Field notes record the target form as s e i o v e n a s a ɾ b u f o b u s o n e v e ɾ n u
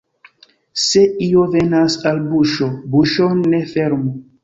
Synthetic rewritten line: s e i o v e n a s a l b u ʃ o b u ʃ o n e f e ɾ m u

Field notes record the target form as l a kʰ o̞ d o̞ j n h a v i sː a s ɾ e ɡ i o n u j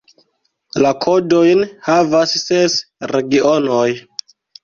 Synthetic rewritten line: l a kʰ o̞ d o̞ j n h a v a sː e s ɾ e ɡ i o n o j

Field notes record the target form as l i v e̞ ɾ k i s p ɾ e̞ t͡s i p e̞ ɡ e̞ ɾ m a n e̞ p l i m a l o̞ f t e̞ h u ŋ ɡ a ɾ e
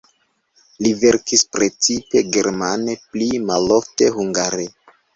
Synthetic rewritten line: l i v e̞ ɾ k i s p ɾ e̞ t͡s i p e̞ ɡ e̞ ɾ m a n e̞ p l i m a l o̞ f t e̞ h u ŋ ɡ a ɾ e

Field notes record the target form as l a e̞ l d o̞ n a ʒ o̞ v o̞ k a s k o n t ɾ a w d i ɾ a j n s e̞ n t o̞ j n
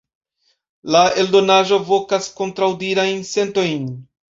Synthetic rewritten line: l a e̞ l d o̞ n a ʒ o̞ v o̞ k a s k o n t ɾ a w d i ɾ a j n s e̞ n t o̞ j n

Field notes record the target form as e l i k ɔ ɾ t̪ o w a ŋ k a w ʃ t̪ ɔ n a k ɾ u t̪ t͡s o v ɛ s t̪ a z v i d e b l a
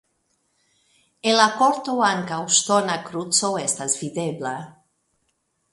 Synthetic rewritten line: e l a k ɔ ɾ t̪ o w a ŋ k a w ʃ t̪ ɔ n a k ɾ u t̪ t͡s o w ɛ s t̪ a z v i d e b l a

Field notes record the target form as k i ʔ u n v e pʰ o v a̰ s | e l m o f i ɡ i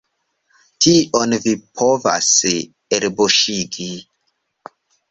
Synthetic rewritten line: t i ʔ o n v i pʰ o v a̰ s | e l b o ʃ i ɡ i

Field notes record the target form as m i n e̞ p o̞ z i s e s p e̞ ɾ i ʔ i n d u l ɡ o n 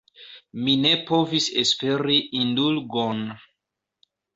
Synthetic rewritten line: m i n e̞ p o̞ v i s e s p e̞ ɾ i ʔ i n d u l ɡ o n

